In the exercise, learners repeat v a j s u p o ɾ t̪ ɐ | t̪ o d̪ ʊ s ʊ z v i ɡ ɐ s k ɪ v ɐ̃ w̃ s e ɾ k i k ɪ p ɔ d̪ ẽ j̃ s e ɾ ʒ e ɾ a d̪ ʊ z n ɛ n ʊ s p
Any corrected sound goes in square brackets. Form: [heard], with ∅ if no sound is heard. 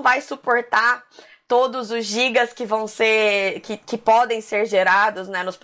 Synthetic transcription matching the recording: v a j s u p o ɾ t̪ [a] | t̪ o d̪ ʊ [z] ʊ z [ʒ] i ɡ ɐ s k ɪ v ɐ̃ w̃ s e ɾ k [ɪ] k ɪ p ɔ d̪ ẽ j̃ s e ɾ ʒ e ɾ a d̪ ʊ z n ɛ n ʊ s p